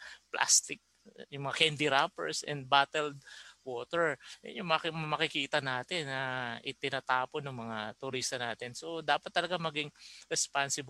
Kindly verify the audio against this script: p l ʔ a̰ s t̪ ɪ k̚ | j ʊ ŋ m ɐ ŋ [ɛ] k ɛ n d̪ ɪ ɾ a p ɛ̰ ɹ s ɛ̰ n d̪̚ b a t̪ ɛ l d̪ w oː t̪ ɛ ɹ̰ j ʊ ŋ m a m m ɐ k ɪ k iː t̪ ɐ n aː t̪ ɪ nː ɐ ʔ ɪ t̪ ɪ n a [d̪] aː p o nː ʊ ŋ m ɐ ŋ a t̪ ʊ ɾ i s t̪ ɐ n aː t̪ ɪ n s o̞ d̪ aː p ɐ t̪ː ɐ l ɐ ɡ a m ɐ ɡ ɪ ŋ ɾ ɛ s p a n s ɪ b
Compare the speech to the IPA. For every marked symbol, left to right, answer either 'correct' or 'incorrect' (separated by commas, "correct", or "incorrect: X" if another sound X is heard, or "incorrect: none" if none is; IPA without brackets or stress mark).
incorrect: a, incorrect: t̪